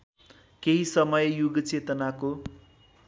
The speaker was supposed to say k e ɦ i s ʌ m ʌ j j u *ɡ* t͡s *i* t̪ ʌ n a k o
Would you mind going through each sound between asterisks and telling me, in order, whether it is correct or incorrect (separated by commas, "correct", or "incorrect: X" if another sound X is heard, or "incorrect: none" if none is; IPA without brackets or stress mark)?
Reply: correct, incorrect: e